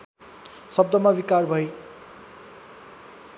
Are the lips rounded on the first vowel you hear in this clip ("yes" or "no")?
no